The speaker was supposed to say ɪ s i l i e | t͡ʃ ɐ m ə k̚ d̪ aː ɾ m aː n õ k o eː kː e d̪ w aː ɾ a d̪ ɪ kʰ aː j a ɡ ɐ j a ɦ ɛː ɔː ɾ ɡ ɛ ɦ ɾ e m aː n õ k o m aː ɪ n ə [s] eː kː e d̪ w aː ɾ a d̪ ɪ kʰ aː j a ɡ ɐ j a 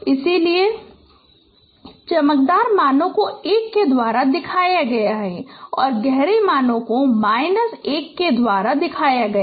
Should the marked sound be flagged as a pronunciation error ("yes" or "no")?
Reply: no